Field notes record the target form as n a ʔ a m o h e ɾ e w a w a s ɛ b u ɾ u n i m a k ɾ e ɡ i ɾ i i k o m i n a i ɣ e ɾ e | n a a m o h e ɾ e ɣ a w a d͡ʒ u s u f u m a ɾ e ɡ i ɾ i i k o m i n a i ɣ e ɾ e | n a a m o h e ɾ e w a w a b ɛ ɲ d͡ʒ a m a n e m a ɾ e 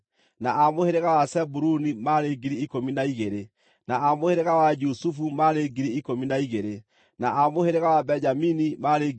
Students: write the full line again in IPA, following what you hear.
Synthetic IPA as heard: n a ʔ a m o h e ɾ e ɣ a w a s ɛ b u ɾ u n i m a ɾ e ɡ i ɾ i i k o m i n a i ɣ e ɾ e | n a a m o h e ɾ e ɣ a w a d͡ʒ u s u f u m a ɾ e ɡ i ɾ i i k o m i n a i ɣ e ɾ e | n a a m o h e ɾ e ɣ a w a b ɛ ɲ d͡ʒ a m i n i m a ɾ e